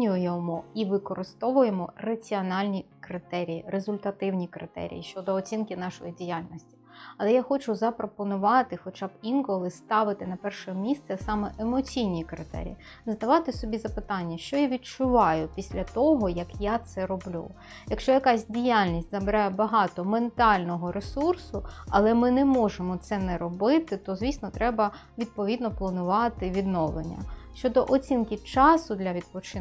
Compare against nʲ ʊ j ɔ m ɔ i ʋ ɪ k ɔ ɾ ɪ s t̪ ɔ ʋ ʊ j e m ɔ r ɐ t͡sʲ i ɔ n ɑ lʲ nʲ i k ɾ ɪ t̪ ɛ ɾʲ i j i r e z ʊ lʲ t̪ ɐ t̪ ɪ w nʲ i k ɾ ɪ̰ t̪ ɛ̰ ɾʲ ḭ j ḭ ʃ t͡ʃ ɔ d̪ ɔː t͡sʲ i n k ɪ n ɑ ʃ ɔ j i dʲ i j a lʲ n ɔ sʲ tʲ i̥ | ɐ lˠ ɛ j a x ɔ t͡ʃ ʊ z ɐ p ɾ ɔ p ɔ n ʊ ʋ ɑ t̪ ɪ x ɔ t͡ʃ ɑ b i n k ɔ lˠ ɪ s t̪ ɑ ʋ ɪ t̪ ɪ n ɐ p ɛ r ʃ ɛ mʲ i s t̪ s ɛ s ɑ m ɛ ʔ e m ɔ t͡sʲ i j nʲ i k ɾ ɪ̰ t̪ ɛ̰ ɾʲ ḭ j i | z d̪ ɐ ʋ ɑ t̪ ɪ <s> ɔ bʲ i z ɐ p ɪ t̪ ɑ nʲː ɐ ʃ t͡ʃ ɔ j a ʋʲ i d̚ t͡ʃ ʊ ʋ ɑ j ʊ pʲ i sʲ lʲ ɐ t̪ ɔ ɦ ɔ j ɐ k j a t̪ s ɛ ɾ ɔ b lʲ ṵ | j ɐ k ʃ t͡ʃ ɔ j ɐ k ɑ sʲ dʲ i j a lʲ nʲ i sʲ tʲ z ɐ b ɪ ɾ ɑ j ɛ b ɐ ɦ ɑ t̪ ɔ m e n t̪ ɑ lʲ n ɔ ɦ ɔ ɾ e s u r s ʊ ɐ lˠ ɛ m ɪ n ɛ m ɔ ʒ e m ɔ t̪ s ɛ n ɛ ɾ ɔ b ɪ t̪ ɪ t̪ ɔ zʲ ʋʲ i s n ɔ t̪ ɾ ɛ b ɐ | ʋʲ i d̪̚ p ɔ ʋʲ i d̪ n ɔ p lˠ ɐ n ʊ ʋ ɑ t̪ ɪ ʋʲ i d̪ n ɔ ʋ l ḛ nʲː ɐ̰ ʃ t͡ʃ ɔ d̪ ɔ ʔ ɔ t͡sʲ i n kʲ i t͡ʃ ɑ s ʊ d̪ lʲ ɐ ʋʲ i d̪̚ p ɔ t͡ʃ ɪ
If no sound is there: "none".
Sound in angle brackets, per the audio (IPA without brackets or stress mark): s